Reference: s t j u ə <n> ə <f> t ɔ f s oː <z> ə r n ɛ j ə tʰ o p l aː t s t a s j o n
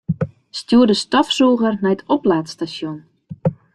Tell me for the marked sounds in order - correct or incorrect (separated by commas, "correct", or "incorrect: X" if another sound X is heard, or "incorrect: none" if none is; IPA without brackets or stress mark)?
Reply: incorrect: d, incorrect: s, incorrect: ɣ